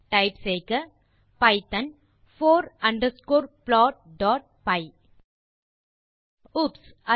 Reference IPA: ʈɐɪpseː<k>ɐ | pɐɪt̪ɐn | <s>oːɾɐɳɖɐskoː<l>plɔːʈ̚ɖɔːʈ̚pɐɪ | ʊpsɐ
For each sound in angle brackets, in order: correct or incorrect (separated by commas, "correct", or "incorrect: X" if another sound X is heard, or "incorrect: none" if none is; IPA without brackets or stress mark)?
correct, incorrect: f, incorrect: ɾ